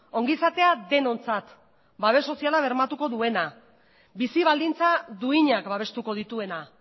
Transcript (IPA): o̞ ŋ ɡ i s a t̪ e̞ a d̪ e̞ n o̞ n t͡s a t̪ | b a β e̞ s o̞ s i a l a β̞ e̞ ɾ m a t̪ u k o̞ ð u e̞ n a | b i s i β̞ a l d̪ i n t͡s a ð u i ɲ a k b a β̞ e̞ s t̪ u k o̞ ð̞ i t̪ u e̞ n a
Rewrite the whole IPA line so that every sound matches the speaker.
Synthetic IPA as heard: o̞ ŋ ɡ i s a t̪ e̞ a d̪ e̞ n o̞ n t͡s a t̪ | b a β e̞ s o̞ s i a l a β̞ e̞ ɾ m a t̪ u k o̞ ð u e̞ n a | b i s i β̞ a l d̪ i n t͡s a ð u i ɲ a k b a β̞ e̞ s t̪ u k o̞ ð̞ i t̪ u e̞ n a